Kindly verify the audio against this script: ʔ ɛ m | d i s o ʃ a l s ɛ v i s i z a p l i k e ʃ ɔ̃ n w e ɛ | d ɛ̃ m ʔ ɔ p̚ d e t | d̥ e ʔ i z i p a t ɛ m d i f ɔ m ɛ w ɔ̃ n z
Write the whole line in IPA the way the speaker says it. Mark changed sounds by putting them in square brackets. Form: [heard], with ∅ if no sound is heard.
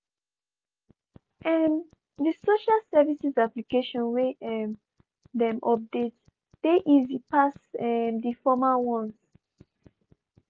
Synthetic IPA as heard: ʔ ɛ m | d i s o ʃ a l s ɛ v i s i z a p l i k e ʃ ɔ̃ n w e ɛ | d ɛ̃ m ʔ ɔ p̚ d e t | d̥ e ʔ i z i p a [s] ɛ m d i f ɔ m [a] w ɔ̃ n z